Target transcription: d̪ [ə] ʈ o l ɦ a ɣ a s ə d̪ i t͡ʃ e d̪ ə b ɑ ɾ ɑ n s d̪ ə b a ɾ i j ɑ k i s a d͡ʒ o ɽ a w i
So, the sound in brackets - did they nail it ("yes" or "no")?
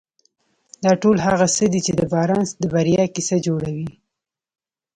no